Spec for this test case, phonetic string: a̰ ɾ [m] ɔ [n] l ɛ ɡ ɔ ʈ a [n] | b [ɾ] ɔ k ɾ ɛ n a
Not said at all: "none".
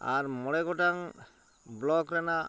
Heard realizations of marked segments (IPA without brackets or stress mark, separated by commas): m, none, ŋ, l